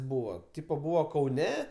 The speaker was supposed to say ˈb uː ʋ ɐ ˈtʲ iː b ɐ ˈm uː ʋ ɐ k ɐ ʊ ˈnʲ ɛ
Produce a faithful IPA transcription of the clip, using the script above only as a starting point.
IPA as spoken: ˈb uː ʋ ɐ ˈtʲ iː p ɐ ˈb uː ʋ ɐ k ɐ ʊ ˈnʲ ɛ